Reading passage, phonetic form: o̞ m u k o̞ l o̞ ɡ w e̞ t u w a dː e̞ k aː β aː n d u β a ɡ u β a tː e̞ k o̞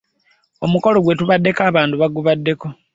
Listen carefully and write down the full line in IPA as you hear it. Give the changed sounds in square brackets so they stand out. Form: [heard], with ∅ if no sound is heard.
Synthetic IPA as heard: o̞ m u k o̞ l o̞ ɡ w e̞ t u [β] a dː e̞ k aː β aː n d u β a ɡ u β a [dː] e̞ k o̞